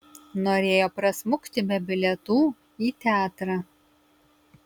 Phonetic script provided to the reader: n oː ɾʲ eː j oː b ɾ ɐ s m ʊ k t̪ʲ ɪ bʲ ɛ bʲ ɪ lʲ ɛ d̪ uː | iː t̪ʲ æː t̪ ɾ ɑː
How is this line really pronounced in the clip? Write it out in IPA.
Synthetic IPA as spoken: n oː ɾʲ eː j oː p ɾ ɐ s m ʊ k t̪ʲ ɪ bʲ ɛ bʲ ɪ lʲ ɛ t̪ uː | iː t̪ʲ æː t̪ ɾ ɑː